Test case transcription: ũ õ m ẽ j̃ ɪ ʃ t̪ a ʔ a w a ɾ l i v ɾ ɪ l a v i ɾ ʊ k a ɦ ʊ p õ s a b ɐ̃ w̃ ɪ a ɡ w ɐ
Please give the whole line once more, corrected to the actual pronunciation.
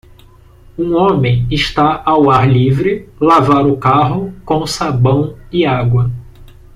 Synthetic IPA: ũ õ m ẽ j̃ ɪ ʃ t̪ a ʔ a w a ɾ l i v ɾ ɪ l a v a ɾ ʊ k a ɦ ʊ k õ s a b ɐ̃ w̃ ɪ a ɡ w ɐ